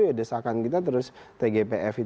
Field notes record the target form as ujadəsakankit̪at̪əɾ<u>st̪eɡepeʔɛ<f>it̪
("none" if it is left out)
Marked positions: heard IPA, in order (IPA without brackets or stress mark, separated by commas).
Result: ʊ, f